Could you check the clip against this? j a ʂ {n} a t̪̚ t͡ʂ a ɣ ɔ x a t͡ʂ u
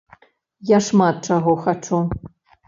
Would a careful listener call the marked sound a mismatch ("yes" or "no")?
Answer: yes